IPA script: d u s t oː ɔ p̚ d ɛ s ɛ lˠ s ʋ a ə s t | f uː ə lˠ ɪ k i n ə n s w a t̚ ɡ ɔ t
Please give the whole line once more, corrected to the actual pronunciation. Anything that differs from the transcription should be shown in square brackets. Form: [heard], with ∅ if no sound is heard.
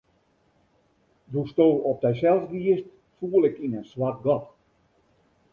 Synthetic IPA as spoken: d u s t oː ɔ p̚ d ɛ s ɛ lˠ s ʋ [i] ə s t | f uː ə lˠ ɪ k i n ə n s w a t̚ ɡ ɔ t